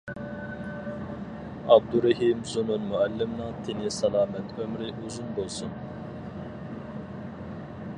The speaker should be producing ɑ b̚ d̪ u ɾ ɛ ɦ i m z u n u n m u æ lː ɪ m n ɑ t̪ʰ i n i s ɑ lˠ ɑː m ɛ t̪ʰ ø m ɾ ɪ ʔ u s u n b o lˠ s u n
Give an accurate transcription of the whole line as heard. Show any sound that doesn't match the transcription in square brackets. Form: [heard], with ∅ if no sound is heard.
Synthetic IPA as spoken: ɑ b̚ d̪ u ɾ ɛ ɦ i m z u n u n m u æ lː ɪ m n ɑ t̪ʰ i n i s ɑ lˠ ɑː m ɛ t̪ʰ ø m ɾ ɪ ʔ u [z] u n b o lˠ s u n

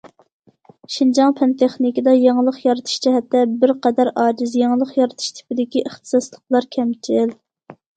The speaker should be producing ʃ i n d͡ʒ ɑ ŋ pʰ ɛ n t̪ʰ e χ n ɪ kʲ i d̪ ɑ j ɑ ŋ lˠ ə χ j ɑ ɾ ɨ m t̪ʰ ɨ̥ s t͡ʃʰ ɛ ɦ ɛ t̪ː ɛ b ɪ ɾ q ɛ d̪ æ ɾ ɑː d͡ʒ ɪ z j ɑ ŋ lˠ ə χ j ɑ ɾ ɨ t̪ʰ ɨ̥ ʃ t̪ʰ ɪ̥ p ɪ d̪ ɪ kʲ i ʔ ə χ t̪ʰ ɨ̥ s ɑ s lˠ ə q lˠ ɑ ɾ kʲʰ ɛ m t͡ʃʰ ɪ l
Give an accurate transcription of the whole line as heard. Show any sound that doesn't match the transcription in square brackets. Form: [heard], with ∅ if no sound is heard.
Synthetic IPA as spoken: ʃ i n d͡ʒ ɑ ŋ pʰ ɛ n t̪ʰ e χ n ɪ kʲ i d̪ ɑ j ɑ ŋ lˠ ə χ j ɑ ɾ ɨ [∅] t̪ʰ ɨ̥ [ʃ] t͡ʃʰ ɛ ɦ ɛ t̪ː ɛ b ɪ ɾ q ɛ d̪ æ ɾ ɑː d͡ʒ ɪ z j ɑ ŋ lˠ ə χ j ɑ ɾ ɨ t̪ʰ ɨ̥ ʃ t̪ʰ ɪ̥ p ɪ d̪ ɪ kʲ i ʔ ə χ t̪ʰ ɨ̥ s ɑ s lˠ ə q lˠ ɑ ɾ kʲʰ ɛ m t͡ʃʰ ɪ l

